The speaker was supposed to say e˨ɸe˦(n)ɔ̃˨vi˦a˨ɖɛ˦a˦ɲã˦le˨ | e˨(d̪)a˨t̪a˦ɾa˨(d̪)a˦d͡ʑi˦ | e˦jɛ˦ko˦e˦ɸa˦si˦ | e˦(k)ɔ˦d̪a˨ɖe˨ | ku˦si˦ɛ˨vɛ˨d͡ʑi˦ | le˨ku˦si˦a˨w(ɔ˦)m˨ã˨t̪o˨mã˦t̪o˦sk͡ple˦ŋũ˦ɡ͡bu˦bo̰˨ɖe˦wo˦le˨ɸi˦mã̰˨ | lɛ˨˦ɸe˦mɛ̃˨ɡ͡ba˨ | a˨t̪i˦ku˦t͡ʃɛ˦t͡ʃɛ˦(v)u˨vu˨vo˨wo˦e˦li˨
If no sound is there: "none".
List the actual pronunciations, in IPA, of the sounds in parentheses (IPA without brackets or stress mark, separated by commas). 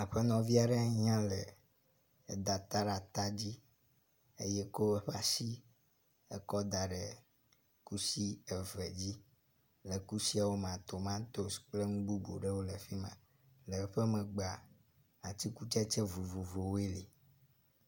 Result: n, d̪, t̪, k, o˦, v